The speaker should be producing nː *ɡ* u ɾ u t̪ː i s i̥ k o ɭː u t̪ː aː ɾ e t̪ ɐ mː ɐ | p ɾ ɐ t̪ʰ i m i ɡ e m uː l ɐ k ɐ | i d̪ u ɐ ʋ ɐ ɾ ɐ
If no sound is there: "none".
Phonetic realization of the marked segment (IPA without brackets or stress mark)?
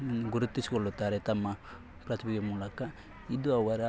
ɡ